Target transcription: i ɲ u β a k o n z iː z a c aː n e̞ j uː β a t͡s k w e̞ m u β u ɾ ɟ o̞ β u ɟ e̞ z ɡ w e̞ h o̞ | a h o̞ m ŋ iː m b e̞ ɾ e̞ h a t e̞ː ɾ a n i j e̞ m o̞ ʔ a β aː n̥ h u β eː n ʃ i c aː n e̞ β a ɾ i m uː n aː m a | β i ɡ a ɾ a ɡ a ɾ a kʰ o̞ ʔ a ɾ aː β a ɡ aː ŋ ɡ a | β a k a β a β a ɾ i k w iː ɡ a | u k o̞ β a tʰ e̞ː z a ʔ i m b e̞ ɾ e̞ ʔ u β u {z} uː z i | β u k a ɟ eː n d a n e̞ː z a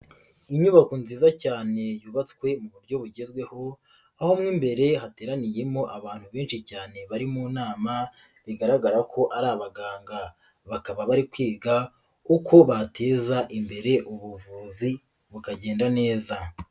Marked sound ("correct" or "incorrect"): incorrect